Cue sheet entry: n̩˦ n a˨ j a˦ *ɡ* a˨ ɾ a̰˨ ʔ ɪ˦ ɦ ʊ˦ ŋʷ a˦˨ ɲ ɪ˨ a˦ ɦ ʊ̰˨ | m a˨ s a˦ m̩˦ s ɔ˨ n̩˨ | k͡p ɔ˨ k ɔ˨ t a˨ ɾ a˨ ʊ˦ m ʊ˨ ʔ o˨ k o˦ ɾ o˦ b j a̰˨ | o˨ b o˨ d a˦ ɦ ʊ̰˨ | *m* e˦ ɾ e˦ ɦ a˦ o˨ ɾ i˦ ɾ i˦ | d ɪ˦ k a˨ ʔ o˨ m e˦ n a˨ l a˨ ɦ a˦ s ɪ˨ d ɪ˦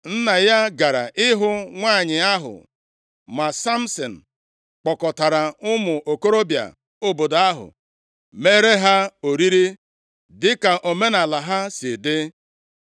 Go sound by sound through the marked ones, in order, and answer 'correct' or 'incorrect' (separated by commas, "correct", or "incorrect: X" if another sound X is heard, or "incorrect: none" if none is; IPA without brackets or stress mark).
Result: correct, correct